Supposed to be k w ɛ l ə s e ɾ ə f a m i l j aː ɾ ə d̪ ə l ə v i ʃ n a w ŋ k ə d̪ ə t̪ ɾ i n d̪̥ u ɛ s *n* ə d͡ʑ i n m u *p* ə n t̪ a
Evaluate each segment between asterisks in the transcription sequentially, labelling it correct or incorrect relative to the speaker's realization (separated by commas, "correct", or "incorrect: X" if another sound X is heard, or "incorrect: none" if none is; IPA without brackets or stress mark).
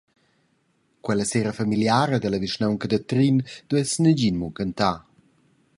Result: correct, incorrect: k